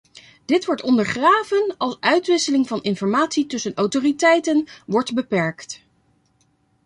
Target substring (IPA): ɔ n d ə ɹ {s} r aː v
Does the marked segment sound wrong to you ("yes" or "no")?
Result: yes